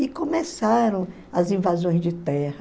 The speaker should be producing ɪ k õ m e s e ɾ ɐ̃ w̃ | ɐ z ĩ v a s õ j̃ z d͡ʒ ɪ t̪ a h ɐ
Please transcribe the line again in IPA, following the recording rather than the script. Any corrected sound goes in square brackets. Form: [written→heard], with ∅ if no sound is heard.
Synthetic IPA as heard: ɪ k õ m e s [e→a] ɾ ɐ̃ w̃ | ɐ z ĩ v a [s→z] õ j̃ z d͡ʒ ɪ t̪ [a→ɛ] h ɐ